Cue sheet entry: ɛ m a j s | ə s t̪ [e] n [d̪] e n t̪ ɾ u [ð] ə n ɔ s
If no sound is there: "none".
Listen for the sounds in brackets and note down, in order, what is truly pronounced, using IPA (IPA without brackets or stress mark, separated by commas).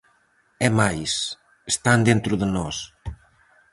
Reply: a, d̪, ð